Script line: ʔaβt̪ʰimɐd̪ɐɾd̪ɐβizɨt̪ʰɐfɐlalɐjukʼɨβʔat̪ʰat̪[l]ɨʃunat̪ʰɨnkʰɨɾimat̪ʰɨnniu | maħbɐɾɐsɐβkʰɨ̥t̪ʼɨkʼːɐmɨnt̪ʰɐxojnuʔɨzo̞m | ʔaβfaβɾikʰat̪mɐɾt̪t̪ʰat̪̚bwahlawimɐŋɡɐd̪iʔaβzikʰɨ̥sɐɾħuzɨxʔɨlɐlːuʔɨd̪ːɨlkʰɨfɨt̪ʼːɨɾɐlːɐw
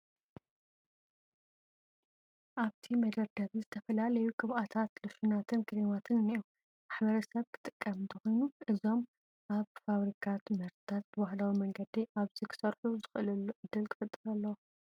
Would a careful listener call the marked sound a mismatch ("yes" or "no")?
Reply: no